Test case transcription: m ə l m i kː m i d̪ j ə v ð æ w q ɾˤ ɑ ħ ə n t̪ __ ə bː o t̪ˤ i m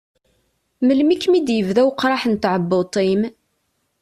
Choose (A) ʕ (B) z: A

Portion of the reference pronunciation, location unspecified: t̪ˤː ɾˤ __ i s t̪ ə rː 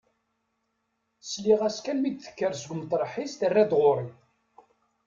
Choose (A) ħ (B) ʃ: A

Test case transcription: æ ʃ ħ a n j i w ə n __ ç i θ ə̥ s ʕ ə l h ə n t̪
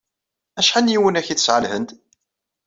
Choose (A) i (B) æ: B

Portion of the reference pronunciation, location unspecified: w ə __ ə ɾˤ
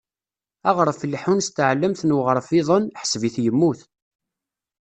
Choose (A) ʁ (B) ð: A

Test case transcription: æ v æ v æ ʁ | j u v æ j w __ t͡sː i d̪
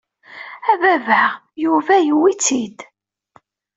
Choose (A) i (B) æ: A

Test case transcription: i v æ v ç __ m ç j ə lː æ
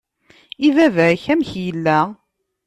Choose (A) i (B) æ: B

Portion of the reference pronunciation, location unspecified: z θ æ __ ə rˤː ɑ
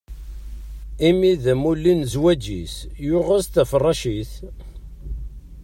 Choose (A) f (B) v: A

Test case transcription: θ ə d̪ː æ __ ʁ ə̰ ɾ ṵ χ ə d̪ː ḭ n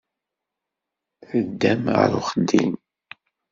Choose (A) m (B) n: A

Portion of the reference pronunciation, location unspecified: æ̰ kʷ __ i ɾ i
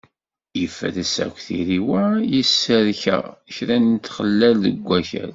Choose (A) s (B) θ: B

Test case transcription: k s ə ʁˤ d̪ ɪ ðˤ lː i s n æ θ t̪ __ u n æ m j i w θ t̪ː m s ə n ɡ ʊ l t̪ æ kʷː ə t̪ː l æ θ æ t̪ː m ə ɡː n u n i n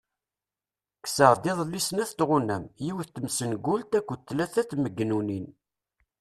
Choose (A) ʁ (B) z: A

